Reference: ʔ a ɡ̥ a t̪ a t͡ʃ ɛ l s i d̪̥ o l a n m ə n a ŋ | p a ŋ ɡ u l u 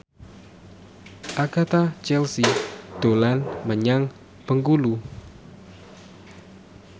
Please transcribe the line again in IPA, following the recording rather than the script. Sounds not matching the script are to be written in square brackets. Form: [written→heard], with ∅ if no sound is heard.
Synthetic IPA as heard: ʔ a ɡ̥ a t̪ a t͡ʃ ɛ l s i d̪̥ o l a n m ə [n→ɲ] a ŋ | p [a→ə] ŋ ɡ u l u